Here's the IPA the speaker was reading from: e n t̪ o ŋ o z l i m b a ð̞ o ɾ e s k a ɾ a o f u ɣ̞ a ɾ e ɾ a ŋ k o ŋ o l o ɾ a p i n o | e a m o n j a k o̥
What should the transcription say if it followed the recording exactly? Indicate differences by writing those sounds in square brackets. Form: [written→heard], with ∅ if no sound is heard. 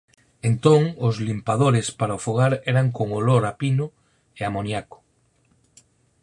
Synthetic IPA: e n t̪ o ŋ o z l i m [b→p] a ð̞ o ɾ e s [k→p] a ɾ a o f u ɣ̞ a ɾ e ɾ a ŋ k o ŋ o l o ɾ a p i n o | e a m o n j a k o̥

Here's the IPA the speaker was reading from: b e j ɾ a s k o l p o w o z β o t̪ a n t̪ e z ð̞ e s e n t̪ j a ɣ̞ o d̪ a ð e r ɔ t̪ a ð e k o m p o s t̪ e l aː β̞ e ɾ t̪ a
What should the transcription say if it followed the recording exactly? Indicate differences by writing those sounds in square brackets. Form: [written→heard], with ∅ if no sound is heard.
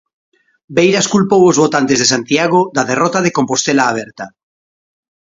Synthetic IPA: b e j ɾ a s k [o→u] l p o w o z β o t̪ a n t̪ e z ð̞ e s [e→a] n t̪ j a ɣ̞ o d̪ a ð e r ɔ t̪ a ð e k o m p o s t̪ e l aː β̞ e ɾ t̪ a

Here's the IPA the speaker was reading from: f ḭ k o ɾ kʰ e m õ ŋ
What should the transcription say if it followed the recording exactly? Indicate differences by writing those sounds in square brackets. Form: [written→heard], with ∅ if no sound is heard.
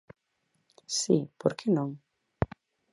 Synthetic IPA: [f→s] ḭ [k→p] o ɾ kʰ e [m→n] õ ŋ

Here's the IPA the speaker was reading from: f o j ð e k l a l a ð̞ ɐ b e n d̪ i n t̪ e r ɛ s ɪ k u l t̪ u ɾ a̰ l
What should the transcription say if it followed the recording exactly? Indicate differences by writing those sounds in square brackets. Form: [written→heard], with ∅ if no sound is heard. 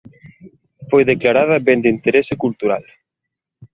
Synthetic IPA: f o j ð e k l a [l→ɾ] a ð̞ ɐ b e n d̪ i n t̪ e [r→ɾ] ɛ s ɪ k u l t̪ u ɾ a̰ l

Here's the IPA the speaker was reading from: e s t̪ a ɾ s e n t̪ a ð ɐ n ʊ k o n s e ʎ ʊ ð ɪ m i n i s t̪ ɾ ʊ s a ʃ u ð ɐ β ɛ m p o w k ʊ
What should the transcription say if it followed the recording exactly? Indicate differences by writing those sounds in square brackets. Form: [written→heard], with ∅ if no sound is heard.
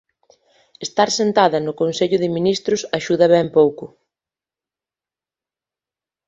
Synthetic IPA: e s t̪ a ɾ s e n t̪ a ð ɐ n ʊ k o n s e ʎ ʊ ð ɪ m i n i s t̪ ɾ ʊ s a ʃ u ð ɐ β ɛ m p o w k ʊ

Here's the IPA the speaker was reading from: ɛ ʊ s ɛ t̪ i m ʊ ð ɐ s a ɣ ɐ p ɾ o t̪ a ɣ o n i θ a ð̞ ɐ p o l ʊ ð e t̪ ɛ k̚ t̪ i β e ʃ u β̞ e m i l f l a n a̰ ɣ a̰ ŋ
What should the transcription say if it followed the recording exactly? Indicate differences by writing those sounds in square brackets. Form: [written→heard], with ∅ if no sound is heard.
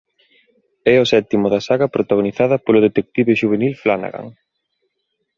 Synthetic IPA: ɛ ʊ s ɛ t̪ i m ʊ ð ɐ s a ɣ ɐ p ɾ o t̪ a ɣ o n i θ a ð̞ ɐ p o l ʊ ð e t̪ [ɛ→e] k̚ t̪ i β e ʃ u β̞ e [m→n] i l f l a n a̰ ɣ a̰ ŋ

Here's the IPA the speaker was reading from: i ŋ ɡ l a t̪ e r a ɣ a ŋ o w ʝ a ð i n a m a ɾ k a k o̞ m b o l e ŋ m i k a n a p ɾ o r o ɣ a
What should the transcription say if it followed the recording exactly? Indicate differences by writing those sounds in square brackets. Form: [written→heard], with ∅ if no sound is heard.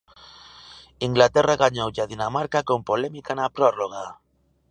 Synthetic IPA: i ŋ ɡ l a t̪ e r a ɣ a [ŋ→ɲ] o w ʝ a ð i n a m a ɾ k a k o̞ m [b→p] o l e [ŋ→∅] m i k a n a p ɾ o r o ɣ a

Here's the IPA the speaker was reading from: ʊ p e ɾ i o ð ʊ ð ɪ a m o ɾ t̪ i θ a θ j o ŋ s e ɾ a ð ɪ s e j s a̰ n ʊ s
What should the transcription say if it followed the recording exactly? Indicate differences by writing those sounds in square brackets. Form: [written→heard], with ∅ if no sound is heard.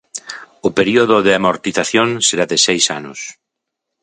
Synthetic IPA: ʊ p e ɾ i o ð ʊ ð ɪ a m o ɾ t̪ i θ a θ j o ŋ s e ɾ a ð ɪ s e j s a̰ n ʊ s

